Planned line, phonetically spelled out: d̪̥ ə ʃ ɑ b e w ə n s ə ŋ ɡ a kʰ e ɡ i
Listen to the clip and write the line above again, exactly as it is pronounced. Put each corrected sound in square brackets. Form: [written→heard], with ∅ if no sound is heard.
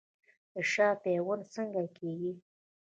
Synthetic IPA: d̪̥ ə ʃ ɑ [b→p] e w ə n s ə ŋ ɡ a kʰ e ɡ i